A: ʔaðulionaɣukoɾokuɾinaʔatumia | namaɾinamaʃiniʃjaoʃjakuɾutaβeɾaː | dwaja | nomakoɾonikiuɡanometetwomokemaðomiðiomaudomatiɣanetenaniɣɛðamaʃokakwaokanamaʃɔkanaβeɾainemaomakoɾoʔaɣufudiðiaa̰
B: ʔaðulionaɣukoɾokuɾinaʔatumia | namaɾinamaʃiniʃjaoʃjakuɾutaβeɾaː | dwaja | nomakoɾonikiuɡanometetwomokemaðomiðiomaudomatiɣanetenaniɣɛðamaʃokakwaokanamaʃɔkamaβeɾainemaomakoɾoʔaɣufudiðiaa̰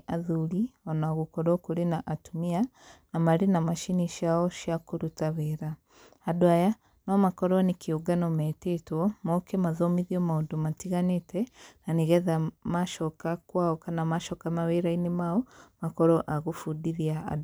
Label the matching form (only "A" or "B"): B